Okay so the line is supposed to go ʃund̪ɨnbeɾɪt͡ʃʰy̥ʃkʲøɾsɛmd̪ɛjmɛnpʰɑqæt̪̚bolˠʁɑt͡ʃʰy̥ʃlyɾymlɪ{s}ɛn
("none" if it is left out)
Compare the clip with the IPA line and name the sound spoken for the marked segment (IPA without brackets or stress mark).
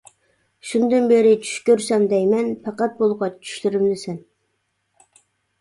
s